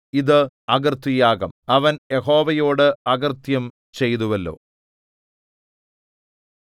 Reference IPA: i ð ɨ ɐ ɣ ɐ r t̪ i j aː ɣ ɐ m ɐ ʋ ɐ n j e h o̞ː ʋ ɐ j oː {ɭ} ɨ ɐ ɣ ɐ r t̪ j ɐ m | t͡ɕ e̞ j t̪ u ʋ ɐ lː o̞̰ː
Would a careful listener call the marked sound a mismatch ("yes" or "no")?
yes